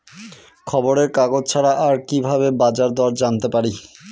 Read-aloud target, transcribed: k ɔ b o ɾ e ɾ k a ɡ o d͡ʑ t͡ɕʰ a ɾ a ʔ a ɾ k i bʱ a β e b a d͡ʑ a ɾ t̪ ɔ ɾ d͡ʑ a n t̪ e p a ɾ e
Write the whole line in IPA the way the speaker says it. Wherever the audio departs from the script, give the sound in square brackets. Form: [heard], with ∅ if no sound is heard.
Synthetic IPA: [kʰ] ɔ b o ɾ e ɾ k a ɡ o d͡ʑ t͡ɕʰ a ɾ a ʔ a ɾ k i bʱ a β e b a d͡ʑ a ɾ [d̪] ɔ ɾ d͡ʑ a n t̪ e p a ɾ [i]